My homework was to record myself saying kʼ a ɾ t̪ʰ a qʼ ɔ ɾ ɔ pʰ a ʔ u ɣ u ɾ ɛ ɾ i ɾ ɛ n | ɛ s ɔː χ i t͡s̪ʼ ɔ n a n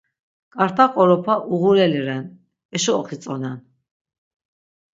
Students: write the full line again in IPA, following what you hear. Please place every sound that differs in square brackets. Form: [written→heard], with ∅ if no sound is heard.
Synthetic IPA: kʼ a ɾ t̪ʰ a qʼ ɔ ɾ ɔ pʰ a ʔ u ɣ u ɾ ɛ [ɾ→l] i ɾ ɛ n | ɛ [s→ʃ] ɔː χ i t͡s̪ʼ ɔ n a n